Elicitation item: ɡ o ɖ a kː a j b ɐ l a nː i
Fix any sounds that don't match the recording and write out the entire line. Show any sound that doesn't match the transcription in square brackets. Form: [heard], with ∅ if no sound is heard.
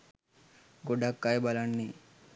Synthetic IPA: ɡ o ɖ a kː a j b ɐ l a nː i